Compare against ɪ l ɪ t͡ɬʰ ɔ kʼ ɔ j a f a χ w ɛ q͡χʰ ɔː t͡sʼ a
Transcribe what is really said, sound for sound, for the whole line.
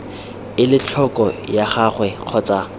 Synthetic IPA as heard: ɪ l ɪ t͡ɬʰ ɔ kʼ ɔ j a χ a χ w ɛ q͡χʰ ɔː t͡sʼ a